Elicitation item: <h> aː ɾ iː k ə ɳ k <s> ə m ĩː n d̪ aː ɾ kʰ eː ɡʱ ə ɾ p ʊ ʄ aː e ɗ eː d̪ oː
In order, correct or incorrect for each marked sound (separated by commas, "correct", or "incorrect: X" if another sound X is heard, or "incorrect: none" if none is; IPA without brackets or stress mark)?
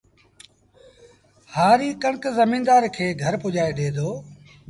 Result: correct, incorrect: z